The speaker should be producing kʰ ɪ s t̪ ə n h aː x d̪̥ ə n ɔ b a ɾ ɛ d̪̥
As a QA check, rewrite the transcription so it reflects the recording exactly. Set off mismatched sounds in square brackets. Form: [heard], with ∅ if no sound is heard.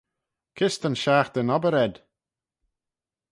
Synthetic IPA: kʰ ɪ s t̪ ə n [ʃ] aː x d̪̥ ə n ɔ b [ə] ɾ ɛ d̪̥